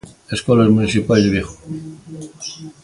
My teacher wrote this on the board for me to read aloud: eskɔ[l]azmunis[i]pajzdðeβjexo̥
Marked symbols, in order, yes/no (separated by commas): yes, yes